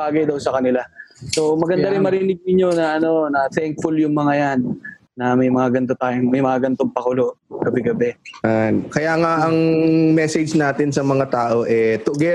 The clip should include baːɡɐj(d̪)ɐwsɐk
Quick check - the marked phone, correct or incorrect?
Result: correct